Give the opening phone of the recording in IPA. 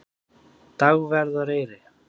t̪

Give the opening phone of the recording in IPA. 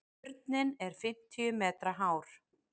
ɾ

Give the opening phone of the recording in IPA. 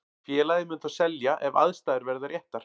f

